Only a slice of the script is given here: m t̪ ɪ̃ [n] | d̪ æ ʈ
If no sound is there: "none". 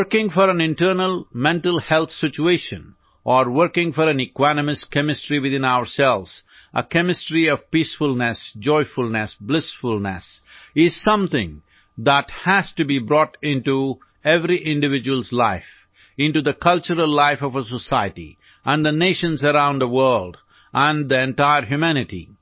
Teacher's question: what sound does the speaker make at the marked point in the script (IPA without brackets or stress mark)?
ŋ